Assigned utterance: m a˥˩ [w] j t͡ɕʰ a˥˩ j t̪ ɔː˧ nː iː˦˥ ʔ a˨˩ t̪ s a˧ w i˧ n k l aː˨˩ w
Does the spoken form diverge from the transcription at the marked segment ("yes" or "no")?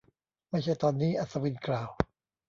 yes